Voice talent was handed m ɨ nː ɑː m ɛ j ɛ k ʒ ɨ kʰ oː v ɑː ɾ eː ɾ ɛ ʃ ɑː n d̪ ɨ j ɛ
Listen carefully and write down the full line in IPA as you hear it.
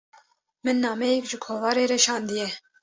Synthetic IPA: m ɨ nː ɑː m ɛ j ɛ k ʒ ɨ kʰ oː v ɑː ɾ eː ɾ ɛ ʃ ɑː n d̪ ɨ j ɛ